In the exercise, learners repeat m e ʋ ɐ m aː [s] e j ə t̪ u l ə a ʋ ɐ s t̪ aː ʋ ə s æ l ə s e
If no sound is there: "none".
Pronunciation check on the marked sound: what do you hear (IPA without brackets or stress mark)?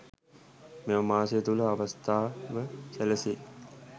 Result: s